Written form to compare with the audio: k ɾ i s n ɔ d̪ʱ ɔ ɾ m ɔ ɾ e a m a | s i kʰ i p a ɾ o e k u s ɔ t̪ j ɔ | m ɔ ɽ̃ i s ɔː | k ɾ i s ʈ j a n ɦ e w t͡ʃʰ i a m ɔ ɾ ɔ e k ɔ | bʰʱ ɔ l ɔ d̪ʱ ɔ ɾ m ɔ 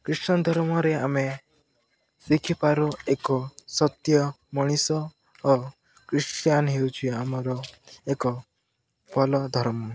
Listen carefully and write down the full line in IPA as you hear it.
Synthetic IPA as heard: k ɾ i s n ɔ d̪ʱ ɔ ɾ m ɔ ɾ e a m e | s i kʰ i p a ɾ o e k ɔ s ɔ t̪ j ɔ | m ɔ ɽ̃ i s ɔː | k ɾ i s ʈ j a n ɦ e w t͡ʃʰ i a m ɔ ɾ ɔ e k ɔ | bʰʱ ɔ l ɔ d̪ʱ ɔ ɾ m ɔ

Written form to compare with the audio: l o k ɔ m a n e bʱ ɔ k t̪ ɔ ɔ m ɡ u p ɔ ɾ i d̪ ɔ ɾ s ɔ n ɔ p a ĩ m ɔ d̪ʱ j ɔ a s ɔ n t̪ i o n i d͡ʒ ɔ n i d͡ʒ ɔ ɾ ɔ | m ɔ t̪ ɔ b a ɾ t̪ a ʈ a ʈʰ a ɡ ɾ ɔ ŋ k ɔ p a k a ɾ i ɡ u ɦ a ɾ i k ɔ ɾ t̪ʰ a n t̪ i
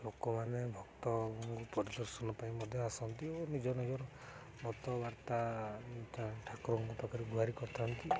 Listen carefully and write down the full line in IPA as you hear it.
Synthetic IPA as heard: l o k ɔ m a n e bʱ ɔ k t̪ ɔ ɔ ŋ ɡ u p ɔ ɾ i d̪ ɔ ɾ s ɔ n ɔ p a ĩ m ɔ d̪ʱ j ɔ a s ɔ n t̪ i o n i d͡ʒ ɔ n i d͡ʒ ɔ ɾ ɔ | m ɔ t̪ ɔ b a ɾ t̪ a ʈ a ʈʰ a k ɾ ɔ ŋ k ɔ p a k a ɾ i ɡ u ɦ a ɾ i k ɔ ɾ t̪ʰ a n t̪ i

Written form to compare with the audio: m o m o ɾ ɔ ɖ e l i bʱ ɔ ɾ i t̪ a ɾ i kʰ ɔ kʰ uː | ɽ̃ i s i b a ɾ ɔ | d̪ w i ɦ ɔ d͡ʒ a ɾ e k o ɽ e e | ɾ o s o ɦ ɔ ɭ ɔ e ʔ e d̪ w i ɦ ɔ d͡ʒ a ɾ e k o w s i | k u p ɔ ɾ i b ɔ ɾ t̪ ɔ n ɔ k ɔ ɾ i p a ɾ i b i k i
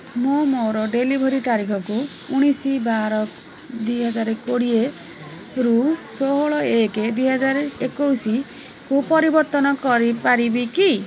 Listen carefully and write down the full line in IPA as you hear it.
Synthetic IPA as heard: m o m o ɾ ɔ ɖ e l i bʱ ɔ ɾ i t̪ a ɾ i kʰ ɔ k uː | ɽ̃ i s i b a ɾ ɔ | d̪ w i ɦ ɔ d͡ʒ a ɾ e k o ɽ i e | ɾ u s o ɦ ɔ ɭ ɔ e k e d̪ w i ɦ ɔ d͡ʒ a ɾ e k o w s i | k u p ɔ ɾ i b ɔ ɾ t̪ ɔ n ɔ k ɔ ɾ i p a ɾ i b i k i

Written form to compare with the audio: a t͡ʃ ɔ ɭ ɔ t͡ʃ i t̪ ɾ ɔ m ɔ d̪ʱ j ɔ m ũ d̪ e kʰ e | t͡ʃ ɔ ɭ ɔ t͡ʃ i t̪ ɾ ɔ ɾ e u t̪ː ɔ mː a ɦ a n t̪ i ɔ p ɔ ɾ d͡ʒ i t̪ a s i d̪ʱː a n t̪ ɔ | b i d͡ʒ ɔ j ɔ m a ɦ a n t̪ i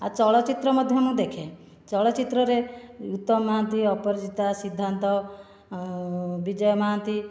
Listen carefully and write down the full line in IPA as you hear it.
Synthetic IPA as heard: a t͡ʃ ɔ ɭ ɔ t͡ʃ i t̪ ɾ ɔ m ɔ d̪ʱ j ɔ m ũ d̪ e kʰ e | t͡ʃ ɔ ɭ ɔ t͡ʃ i t̪ ɾ ɔ ɾ e u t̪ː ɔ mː a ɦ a n t̪ i ɔ p ɔ ɾ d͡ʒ i t̪ a s i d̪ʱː a n t̪ ɔ | b i d͡ʒ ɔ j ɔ m a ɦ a n t̪ i

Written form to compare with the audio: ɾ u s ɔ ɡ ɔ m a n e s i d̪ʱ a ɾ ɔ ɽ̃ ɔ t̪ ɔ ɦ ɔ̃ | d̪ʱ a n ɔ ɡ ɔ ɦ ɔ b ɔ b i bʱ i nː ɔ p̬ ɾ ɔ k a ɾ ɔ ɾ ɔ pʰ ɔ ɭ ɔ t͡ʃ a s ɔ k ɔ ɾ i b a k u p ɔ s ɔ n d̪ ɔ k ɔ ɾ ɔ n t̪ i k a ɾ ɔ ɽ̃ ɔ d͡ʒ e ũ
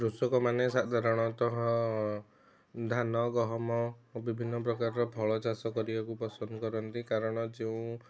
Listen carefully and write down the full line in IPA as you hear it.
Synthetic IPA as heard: ɾ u s ɔ k ɔ m a n e s a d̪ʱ a ɾ ɔ ɽ̃ ɔ t̪ ɔ ɦ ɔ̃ | d̪ʱ a n ɔ ɡ ɔ ɦ ɔ m ɔ b i bʱ i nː ɔ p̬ ɾ ɔ k a ɾ ɔ ɾ ɔ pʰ ɔ ɭ ɔ t͡ʃ a s ɔ k ɔ ɾ i b a k u p ɔ s ɔ n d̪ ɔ k ɔ ɾ ɔ n t̪ i k a ɾ ɔ ɽ̃ ɔ d͡ʒ e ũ

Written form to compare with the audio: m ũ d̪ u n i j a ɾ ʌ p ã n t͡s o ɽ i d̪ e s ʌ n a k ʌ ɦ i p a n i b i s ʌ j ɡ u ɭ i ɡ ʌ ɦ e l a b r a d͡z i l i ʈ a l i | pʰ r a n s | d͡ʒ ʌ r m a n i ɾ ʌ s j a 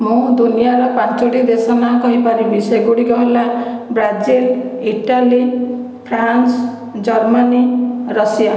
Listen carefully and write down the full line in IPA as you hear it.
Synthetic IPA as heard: m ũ d̪ u n i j a ɾ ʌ p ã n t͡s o ɽ i d̪ e s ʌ n a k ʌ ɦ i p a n i b i s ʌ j ɡ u ɽ i ɡ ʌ ɦ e l a b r a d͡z i l i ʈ a l i | pʰ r a n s | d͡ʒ ʌ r m a n i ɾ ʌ s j a

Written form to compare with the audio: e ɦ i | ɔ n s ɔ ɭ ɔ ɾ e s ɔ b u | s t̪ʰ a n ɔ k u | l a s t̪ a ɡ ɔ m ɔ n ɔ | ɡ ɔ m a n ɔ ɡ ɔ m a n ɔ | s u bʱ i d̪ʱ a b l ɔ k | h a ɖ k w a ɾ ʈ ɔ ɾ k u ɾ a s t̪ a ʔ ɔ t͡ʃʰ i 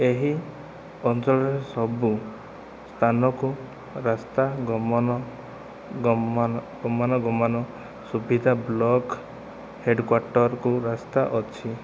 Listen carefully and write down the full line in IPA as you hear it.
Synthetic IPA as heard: e ɦ i | ɔ n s ɔ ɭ ɔ ɾ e s ɔ b u | s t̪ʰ a n ɔ k u | ɾ a s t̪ a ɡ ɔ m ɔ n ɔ | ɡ ɔ m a n ɔ ɡ ɔ m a n ɔ | s u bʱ i d̪ʱ a b l ɔ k | h e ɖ k w a ɾ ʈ ɔ ɾ k u ɾ a s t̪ a ʔ ɔ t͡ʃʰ i

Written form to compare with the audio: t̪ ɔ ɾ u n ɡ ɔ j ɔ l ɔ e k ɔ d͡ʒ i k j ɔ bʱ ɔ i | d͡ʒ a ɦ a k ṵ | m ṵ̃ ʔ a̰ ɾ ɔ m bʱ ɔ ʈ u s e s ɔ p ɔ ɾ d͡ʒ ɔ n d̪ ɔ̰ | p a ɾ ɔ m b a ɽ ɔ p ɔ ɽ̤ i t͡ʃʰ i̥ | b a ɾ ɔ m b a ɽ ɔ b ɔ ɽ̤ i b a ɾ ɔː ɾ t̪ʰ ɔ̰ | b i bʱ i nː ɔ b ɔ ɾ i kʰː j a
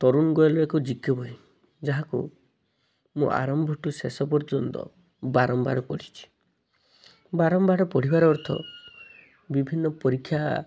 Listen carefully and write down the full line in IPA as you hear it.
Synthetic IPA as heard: t̪ ɔ ɾ u n ɡ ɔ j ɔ l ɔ e k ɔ d͡ʒ i k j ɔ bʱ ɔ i | d͡ʒ a ɦ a k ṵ | m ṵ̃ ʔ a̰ ɾ ɔ m bʱ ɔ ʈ u s e s ɔ p ɔ ɾ d͡ʒ ɔ n t̪ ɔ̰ | b a ɾ ɔ m b a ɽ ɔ p ɔ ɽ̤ i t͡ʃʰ i̥ | b a ɾ ɔ m b a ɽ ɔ p ɔ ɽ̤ i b a ɾ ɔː ɾ t̪ʰ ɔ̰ | b i bʱ i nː ɔ p ɔ ɾ i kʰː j a

